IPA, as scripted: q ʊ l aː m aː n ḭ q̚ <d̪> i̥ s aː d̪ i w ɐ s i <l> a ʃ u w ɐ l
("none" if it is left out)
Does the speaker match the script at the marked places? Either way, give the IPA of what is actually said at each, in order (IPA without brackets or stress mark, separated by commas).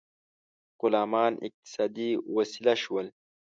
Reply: t̪, l